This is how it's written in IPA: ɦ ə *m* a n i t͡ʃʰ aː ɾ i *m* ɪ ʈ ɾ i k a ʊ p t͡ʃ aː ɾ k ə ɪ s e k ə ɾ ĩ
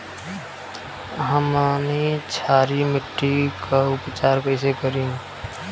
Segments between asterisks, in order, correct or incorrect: correct, correct

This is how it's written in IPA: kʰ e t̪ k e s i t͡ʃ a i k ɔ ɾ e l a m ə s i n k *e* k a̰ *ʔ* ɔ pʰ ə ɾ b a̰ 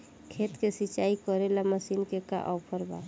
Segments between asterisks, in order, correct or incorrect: correct, correct

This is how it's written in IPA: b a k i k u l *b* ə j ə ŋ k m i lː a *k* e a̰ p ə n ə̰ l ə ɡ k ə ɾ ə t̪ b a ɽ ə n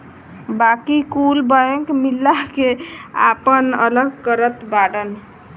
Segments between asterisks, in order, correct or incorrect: correct, correct

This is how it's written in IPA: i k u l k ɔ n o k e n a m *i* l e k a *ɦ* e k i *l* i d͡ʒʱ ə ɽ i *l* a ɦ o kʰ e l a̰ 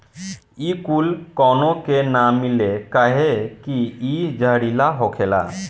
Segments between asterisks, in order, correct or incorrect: correct, correct, incorrect: none, correct

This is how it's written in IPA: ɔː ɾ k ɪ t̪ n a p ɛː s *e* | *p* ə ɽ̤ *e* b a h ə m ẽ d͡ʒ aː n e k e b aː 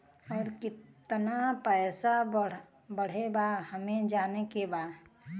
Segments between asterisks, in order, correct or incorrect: incorrect: a, incorrect: b, correct

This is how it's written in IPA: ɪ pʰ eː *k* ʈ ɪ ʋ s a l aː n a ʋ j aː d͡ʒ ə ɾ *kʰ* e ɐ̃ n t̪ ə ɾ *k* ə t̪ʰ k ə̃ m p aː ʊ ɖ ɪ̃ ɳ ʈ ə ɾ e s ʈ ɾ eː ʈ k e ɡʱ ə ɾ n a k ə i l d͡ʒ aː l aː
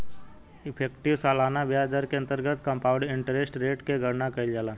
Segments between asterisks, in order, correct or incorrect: correct, incorrect: k, incorrect: ɡ

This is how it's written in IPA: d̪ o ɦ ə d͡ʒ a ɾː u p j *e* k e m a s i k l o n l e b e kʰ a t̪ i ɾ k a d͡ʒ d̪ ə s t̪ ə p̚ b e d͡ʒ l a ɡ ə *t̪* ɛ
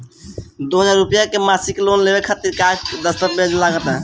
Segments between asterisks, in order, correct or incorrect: incorrect: a, correct

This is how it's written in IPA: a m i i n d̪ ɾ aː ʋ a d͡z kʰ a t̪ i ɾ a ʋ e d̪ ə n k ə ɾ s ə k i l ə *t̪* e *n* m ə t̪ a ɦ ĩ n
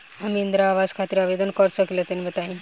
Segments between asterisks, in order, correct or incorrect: correct, correct

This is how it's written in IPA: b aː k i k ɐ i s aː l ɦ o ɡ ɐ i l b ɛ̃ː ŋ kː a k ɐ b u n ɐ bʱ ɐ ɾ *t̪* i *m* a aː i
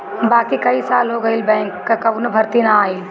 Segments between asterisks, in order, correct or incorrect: correct, incorrect: n

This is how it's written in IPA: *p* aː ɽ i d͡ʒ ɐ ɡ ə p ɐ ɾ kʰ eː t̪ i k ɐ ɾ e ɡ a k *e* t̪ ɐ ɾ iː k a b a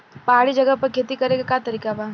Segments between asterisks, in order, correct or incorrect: correct, incorrect: a

